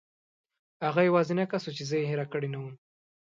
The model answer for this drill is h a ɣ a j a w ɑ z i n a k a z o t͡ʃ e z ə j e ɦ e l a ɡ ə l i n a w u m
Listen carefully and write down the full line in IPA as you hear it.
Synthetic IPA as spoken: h a ɣ a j a w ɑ z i n a k a s o t͡ʃ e z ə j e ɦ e ɾ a k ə ɽ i n a w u m